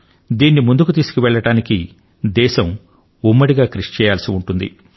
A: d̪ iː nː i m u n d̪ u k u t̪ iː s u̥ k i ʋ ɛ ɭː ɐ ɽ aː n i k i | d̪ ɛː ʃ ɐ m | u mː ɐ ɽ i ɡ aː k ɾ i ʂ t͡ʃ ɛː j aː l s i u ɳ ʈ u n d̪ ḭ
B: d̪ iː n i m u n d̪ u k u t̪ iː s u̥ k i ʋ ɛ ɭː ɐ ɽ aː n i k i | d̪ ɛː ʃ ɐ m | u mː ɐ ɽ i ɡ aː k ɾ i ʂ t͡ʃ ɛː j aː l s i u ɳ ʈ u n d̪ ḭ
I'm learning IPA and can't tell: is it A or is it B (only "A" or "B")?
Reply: A